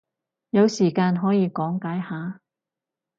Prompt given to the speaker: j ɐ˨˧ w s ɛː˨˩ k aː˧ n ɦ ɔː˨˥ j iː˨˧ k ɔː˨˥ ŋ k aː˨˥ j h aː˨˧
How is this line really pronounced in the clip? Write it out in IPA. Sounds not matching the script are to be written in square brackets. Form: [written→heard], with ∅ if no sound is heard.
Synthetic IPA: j ɐ˨˧ w s [ɛː˨˩→iː˨˩] k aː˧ n ɦ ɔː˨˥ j iː˨˧ k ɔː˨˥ ŋ k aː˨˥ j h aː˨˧